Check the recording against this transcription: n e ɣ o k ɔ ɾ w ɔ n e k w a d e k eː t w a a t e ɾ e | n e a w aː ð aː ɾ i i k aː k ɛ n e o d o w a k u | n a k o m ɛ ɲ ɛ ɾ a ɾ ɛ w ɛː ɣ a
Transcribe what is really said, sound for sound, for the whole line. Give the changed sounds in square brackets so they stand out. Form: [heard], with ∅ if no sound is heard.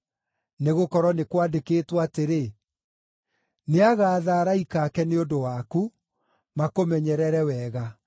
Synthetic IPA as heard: n e ɣ o k ɔ ɾ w ɔ n e k w a d e k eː t w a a t e ɾ e | n e a [ɣ] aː ð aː ɾ [a] i k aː k ɛ n e o d o w a k u | [m] a k o m ɛ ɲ ɛ ɾ [ɛ] ɾ ɛ w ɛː ɣ a